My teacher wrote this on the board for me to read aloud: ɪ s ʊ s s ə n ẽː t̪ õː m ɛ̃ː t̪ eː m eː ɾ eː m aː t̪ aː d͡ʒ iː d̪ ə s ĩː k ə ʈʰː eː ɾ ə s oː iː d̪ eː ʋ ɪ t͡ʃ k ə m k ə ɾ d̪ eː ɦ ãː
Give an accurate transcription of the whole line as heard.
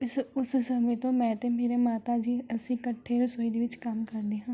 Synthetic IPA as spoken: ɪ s ʊ s s ə m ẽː t̪ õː m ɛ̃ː t̪ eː m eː ɾ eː m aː t̪ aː d͡ʒ iː ə s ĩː k ə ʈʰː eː ɾ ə s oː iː d̪ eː ʋ ɪ t͡ʃ k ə m k ə ɾ d̪ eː ɦ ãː